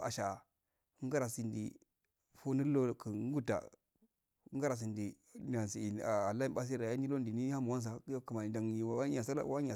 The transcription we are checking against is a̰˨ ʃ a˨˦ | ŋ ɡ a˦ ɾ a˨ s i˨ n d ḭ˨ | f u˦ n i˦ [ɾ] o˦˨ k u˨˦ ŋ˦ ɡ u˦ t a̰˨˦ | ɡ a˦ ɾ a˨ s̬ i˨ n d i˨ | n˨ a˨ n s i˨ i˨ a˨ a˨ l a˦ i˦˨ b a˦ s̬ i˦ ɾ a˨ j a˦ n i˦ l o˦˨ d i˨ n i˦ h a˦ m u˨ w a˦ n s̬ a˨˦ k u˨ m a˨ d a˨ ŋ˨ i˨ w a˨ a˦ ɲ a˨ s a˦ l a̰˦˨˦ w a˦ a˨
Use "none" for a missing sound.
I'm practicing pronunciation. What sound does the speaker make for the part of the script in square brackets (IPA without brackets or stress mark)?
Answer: l